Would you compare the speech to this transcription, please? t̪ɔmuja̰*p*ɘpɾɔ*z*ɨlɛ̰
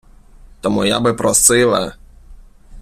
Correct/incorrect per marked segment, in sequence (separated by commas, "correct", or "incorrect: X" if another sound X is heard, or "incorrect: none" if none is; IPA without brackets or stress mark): incorrect: b, incorrect: s